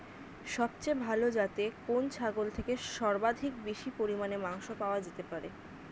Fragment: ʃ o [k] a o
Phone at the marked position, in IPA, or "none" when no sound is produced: p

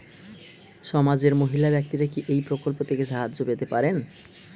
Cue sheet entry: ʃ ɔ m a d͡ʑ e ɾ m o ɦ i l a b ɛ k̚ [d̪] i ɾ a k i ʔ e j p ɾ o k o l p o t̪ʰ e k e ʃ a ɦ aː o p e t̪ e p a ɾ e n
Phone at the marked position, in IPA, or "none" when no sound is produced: t̪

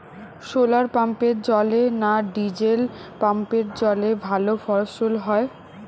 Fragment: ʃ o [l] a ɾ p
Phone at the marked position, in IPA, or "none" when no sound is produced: l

